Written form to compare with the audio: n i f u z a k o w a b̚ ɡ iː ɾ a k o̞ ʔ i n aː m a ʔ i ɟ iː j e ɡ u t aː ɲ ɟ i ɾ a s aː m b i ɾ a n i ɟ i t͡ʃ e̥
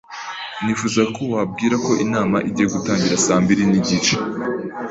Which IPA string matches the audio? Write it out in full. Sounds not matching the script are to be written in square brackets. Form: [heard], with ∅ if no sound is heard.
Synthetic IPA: n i f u z a k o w a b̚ ɡ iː ɾ a k o̞ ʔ i n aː m a ʔ i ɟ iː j e ɡ u t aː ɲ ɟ i ɾ a s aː m b i ɾ [i] n i ɟ i t͡ʃ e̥